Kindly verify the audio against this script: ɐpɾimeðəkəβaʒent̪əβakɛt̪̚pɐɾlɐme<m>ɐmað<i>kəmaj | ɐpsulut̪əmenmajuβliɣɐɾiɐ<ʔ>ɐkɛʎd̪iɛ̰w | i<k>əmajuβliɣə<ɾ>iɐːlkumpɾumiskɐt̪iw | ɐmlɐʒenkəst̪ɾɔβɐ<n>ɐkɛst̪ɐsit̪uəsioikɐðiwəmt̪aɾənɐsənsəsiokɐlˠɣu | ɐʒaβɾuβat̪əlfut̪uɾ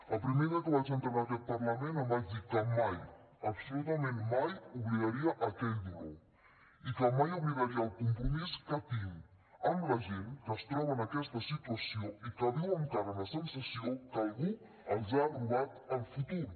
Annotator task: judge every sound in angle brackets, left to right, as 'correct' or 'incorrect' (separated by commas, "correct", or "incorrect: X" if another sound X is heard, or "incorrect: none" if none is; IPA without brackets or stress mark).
incorrect: n, correct, correct, correct, correct, correct